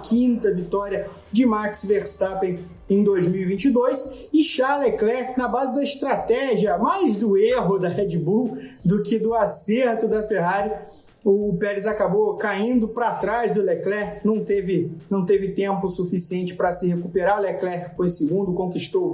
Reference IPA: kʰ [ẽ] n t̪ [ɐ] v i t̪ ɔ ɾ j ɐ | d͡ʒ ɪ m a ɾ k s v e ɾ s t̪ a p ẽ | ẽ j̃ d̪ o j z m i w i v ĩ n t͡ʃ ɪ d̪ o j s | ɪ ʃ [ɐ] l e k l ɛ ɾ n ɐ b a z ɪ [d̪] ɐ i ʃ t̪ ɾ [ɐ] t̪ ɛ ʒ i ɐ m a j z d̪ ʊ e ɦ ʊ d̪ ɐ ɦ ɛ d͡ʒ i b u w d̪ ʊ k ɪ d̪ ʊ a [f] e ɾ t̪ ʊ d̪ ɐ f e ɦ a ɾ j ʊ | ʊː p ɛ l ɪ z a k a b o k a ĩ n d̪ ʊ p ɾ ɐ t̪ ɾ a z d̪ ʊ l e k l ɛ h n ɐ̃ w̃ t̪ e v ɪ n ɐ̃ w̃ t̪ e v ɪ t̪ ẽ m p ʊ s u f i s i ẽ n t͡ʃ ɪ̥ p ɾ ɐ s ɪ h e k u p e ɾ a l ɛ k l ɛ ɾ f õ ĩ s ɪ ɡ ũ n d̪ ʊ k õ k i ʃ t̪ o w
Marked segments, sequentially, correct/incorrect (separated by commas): incorrect, correct, incorrect, correct, incorrect, incorrect